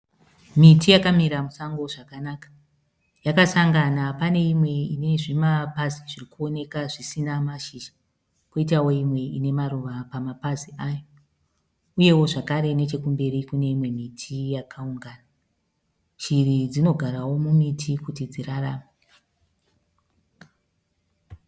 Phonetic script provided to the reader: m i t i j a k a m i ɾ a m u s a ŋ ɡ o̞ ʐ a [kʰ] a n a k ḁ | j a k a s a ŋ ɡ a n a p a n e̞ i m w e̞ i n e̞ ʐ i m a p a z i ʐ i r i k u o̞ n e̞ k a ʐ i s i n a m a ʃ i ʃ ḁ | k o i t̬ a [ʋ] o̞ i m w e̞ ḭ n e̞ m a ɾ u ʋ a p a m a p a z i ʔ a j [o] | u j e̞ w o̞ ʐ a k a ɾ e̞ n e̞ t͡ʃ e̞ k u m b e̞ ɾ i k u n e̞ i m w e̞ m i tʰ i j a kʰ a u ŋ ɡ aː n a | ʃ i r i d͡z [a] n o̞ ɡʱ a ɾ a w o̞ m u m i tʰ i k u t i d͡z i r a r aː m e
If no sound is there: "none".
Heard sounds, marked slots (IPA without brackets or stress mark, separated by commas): k, w, o, i